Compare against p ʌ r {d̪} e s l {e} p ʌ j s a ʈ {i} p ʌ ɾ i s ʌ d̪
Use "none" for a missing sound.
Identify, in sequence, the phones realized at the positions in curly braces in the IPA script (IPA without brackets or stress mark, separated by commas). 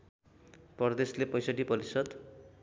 d̪, e, i